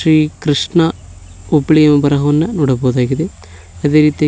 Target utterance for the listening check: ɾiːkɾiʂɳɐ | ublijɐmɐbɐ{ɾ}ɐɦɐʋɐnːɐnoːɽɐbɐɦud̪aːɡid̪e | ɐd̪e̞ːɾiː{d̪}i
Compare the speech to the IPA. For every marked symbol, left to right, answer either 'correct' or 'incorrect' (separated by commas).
correct, incorrect